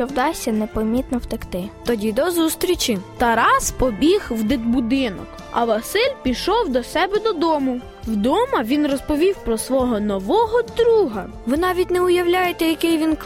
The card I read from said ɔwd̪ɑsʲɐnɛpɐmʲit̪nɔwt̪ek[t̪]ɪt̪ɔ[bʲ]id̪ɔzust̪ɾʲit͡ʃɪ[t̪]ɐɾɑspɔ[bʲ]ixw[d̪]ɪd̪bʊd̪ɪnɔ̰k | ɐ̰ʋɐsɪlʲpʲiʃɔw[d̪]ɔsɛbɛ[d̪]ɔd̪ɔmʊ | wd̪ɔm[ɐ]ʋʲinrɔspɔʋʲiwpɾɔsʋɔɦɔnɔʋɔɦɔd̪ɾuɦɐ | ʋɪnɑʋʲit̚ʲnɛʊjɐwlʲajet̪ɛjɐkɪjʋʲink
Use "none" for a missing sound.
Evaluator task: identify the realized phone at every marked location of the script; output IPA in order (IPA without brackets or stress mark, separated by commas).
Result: t̪, dʲ, t̪, bʲ, d̪, d̪, d̪, ɐ